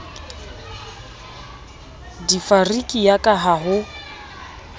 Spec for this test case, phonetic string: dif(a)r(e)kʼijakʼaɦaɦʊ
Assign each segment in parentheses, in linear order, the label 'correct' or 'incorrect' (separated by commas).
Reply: correct, incorrect